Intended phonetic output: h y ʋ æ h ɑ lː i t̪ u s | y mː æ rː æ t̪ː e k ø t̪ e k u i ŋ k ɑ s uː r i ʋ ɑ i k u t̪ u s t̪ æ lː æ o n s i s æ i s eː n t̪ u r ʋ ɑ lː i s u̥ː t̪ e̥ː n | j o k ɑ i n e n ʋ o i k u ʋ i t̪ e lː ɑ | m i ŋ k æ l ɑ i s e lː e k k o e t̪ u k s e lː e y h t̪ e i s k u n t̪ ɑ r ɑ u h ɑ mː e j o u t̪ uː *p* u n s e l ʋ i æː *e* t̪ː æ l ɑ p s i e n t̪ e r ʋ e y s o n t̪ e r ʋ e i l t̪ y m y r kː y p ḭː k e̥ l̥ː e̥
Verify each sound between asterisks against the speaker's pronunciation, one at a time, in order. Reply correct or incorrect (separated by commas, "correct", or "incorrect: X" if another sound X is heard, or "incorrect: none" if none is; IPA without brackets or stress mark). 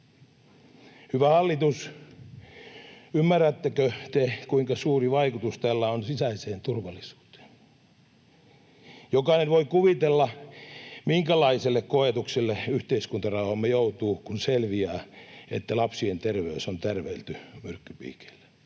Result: incorrect: k, correct